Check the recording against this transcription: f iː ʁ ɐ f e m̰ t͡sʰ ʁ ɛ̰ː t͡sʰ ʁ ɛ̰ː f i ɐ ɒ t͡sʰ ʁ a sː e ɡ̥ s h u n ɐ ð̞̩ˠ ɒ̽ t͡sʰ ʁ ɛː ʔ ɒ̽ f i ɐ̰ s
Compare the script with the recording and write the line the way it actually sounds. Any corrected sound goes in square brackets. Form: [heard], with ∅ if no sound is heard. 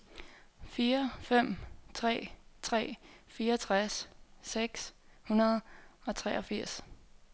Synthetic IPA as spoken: f iː [∅] ɐ f e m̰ t͡sʰ ʁ ɛ̰ː t͡sʰ ʁ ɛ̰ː f [iː] ɐ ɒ t͡sʰ ʁ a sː e ɡ̥ s h u n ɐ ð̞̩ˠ ɒ̽ t͡sʰ ʁ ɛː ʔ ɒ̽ f i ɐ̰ s